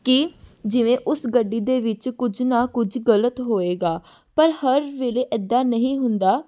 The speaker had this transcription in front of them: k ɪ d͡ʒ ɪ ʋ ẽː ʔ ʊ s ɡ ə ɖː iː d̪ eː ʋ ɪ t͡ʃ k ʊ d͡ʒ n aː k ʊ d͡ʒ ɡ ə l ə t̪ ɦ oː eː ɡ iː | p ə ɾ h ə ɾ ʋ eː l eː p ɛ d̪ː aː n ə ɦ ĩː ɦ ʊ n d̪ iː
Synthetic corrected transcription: k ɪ d͡ʒ ɪ ʋ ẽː ʔ ʊ s ɡ ə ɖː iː d̪ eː ʋ ɪ t͡ʃ k ʊ d͡ʒ n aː k ʊ d͡ʒ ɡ ə l ə t̪ ɦ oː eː ɡ aː | p ə ɾ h ə ɾ ʋ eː l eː ʔ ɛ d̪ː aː n ə ɦ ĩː ɦ ʊ n d̪ aː